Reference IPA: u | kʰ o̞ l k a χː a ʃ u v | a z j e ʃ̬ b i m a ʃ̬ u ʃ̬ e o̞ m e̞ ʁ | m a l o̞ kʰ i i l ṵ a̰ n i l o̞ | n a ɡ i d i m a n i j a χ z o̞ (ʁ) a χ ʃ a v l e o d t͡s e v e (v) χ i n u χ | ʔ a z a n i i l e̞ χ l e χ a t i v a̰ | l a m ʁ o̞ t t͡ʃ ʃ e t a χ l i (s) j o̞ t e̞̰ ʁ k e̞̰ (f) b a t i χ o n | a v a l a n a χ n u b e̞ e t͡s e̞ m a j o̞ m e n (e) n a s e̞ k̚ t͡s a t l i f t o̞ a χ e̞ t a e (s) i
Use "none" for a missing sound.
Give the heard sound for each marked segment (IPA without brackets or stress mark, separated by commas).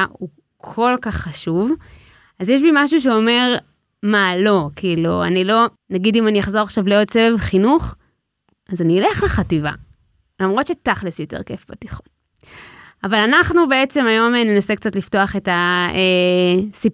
ʁ, v, s, f, e, s